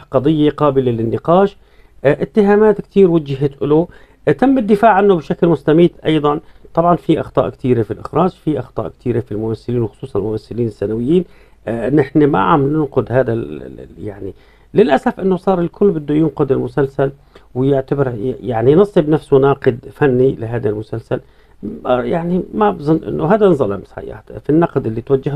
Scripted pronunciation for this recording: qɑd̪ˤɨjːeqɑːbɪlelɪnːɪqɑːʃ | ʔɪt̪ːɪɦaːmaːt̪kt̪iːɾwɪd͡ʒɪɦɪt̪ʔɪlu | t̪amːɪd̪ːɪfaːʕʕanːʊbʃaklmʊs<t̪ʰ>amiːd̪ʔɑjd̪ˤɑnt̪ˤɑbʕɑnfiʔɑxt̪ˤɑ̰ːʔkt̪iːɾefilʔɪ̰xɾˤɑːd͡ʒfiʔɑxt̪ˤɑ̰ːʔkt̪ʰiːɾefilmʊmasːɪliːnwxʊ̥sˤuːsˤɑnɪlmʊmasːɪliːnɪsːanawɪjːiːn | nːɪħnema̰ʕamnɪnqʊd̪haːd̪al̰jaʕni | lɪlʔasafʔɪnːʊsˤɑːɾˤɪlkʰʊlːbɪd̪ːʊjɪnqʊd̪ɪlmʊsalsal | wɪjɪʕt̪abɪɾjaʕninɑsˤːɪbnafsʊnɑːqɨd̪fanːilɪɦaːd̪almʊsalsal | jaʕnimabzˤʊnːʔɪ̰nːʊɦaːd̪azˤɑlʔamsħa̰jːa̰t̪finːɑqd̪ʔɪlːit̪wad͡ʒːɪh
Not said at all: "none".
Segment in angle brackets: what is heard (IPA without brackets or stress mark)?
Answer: t̪